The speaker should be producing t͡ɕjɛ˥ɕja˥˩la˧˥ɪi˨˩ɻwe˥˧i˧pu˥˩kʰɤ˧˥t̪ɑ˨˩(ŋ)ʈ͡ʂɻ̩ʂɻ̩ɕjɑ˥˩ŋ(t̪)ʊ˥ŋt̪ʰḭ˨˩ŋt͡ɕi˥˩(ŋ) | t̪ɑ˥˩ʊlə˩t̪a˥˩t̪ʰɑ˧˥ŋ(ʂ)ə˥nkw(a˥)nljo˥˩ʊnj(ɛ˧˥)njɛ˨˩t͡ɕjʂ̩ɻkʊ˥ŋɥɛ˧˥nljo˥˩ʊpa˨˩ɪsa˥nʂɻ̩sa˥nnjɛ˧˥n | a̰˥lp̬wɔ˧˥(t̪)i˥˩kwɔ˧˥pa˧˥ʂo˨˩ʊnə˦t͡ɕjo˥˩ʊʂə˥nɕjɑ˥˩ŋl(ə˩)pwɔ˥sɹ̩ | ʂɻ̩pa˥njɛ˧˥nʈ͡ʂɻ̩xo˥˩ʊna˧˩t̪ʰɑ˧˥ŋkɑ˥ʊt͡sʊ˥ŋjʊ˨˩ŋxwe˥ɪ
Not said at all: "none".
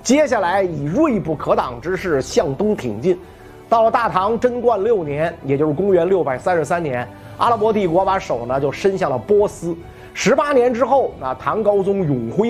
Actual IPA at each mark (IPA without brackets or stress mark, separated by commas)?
ŋ, t̪, n, ʈ͡ʂ, a˥˧, ɛ˧˥, t̪, ə˩